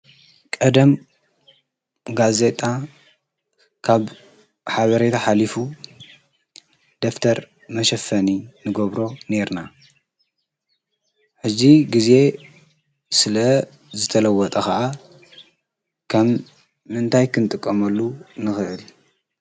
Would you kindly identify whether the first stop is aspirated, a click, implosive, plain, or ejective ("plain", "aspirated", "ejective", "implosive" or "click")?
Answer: ejective